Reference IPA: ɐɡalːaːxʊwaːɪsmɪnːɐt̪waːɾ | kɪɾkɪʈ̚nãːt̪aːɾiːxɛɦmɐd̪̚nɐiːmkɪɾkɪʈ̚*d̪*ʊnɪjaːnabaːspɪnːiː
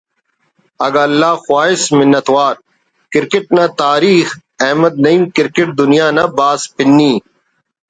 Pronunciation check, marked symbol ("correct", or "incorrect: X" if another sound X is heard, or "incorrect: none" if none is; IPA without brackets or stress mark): correct